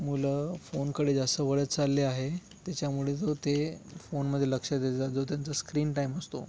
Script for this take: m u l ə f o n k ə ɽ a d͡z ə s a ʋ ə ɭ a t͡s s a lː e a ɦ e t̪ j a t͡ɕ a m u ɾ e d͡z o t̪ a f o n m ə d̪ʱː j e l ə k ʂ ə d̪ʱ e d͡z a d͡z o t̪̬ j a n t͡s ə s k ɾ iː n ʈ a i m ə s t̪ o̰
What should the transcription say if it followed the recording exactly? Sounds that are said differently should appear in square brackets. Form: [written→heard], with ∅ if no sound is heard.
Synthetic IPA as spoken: m u l ə f o n k ə ɽ [a→e] d͡z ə s [a→ə] ʋ ə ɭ [a→ə] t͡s [s→t͡s] a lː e a ɦ e t̪ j a t͡ɕ a m u [ɾ→ɭ] e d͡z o t̪ [a→e] f o n m ə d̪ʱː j e l ə k ʂ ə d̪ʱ e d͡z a d͡z o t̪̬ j a n t͡s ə s k ɾ iː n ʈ a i m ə s t̪ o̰